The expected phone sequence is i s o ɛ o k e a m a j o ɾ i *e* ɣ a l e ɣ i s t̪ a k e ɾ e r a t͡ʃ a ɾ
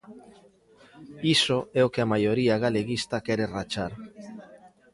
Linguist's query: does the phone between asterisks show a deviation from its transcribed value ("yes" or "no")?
yes